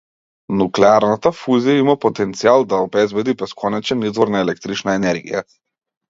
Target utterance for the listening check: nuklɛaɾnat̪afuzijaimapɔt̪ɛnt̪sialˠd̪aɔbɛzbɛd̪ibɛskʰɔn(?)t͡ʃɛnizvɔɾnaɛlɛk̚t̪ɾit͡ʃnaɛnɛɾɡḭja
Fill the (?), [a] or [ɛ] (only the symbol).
ɛ